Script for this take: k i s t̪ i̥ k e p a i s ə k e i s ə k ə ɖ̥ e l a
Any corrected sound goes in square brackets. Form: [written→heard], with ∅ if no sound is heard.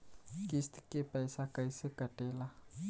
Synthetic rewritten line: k i s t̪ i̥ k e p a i s [ə→a] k [e→a] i s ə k [ə→a] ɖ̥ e l a